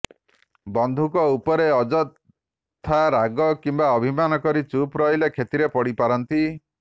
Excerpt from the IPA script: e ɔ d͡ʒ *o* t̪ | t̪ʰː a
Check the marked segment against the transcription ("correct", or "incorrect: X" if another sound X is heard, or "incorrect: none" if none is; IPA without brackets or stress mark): incorrect: ɔ